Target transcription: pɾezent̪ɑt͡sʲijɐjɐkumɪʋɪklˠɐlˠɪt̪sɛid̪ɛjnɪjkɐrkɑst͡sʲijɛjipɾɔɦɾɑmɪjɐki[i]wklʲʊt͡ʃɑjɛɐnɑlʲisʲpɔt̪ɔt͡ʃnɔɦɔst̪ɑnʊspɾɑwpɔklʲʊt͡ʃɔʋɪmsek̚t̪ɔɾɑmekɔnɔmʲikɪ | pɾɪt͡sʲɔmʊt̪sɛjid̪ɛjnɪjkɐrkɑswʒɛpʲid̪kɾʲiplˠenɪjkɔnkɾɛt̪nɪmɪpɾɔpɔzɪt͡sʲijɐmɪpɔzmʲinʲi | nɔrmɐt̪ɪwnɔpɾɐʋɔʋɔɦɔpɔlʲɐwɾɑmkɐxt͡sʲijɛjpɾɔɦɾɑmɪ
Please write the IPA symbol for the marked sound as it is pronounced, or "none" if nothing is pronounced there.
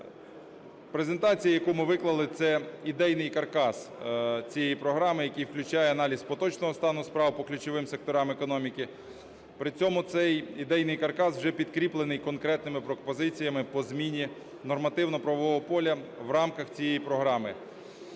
j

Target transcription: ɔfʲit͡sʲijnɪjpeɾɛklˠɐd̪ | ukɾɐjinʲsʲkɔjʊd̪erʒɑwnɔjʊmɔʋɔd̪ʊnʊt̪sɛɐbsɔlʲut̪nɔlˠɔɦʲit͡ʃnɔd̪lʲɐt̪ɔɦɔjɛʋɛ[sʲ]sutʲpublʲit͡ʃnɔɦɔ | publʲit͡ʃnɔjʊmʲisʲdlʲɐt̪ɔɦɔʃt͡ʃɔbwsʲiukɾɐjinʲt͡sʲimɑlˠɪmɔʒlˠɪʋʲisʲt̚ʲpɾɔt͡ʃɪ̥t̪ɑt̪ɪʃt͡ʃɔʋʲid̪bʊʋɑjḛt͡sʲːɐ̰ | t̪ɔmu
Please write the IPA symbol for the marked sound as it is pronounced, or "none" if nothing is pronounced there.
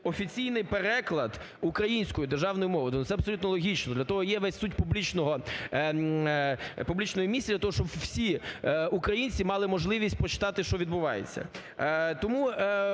sʲ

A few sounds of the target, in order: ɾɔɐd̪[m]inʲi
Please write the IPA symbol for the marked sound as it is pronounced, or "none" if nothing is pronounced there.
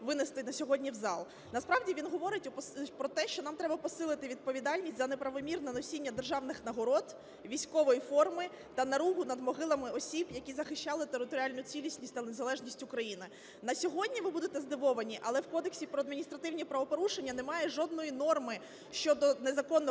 m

